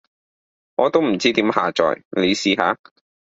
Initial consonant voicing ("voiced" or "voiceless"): voiced